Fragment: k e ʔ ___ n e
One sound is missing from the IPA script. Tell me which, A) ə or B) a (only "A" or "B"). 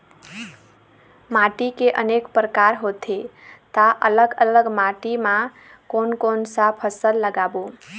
A